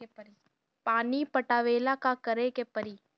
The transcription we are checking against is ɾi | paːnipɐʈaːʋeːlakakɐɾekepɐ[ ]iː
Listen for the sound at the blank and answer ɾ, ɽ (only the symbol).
ɾ